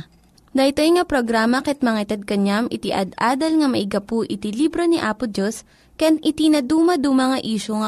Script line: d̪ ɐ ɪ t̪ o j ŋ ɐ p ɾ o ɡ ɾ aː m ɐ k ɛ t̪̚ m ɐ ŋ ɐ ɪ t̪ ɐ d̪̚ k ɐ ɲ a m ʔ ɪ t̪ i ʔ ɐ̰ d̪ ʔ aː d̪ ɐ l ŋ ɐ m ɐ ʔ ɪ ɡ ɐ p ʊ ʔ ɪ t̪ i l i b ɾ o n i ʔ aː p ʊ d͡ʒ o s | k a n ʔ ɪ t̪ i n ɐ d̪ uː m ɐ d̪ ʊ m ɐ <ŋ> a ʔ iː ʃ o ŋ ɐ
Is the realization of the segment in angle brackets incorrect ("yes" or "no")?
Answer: no